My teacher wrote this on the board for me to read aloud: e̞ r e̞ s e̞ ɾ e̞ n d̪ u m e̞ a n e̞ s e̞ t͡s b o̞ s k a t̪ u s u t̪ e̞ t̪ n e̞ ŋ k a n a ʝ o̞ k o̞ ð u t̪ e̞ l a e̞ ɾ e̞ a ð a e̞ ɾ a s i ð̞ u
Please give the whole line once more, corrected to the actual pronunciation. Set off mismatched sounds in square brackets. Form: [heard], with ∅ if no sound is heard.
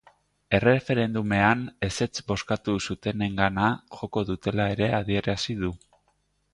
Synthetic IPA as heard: e̞ r e̞ [f] e̞ ɾ e̞ n d̪ u m e̞ a n e̞ s e̞ t͡s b o̞ s k a t̪ u s u t̪ e̞ [∅] n e̞ ŋ [ɡ] a n a ʝ o̞ k o̞ ð u t̪ e̞ l a e̞ ɾ e̞ a ð [i] e̞ ɾ a s i ð̞ u